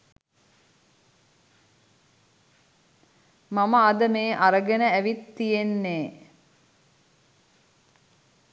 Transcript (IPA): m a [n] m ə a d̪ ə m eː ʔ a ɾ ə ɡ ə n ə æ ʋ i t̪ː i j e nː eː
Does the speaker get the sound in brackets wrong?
yes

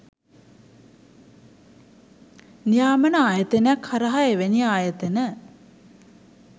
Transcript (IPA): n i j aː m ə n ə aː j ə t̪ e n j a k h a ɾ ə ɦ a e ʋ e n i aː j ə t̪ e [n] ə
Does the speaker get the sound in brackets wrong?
no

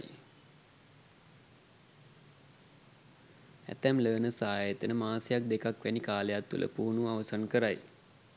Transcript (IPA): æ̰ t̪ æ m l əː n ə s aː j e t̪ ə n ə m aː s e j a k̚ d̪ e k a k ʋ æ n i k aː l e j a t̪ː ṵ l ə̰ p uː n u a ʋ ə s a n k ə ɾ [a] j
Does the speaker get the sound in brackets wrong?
no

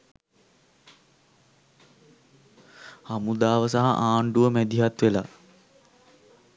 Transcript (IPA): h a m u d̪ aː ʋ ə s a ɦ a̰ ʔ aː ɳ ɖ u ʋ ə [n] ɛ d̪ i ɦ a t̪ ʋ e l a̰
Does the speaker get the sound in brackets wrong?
yes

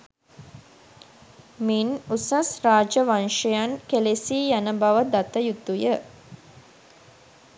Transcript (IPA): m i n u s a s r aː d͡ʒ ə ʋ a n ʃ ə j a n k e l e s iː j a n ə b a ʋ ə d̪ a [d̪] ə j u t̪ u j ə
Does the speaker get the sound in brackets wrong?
yes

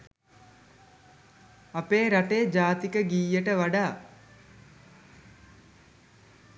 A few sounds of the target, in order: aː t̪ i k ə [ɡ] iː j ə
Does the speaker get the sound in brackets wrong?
no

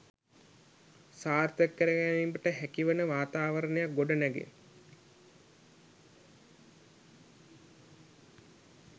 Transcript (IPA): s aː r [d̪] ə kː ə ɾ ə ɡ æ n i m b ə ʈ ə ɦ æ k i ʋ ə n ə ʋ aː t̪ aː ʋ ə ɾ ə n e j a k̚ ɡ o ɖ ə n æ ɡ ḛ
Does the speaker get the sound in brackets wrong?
yes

